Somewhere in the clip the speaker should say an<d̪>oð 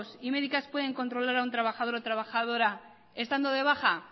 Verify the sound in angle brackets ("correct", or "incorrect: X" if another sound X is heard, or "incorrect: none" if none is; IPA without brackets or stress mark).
correct